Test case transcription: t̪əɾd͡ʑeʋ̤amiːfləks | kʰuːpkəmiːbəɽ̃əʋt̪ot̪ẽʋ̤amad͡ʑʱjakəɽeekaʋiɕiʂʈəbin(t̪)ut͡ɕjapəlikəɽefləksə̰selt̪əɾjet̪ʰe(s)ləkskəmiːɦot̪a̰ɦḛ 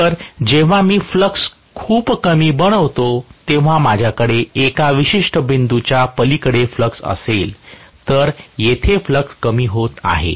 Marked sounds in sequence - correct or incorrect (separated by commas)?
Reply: incorrect, incorrect